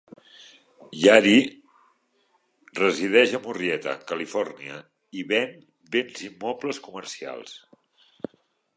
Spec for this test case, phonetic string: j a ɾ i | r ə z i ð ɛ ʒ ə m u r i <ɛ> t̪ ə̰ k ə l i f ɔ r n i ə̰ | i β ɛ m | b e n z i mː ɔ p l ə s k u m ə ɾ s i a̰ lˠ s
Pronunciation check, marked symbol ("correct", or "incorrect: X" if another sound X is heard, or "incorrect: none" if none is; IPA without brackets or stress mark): correct